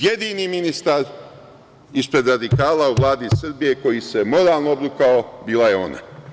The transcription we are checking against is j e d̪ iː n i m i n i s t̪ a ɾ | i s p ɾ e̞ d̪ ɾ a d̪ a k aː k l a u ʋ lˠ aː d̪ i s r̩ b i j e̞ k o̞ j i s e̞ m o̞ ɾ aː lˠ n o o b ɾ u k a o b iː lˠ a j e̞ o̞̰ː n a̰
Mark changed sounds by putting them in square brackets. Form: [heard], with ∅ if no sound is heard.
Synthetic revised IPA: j e d̪ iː n i m i n i s t̪ a ɾ | i s p ɾ e̞ d̪ ɾ a d̪ [i] k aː [∅] l a u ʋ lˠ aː d̪ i s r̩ b i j e̞ k o̞ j i s e̞ m o̞ ɾ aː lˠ n o o b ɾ u k a o b iː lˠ a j e̞ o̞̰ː n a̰